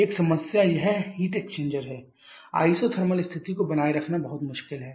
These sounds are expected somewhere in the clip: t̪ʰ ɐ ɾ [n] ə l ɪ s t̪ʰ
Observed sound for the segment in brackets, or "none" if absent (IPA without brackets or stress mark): m